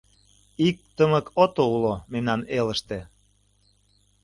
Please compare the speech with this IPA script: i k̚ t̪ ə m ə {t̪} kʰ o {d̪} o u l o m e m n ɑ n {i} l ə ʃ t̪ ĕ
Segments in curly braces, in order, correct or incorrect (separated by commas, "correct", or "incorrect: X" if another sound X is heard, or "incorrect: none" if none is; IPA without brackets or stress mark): incorrect: none, incorrect: t̪, incorrect: e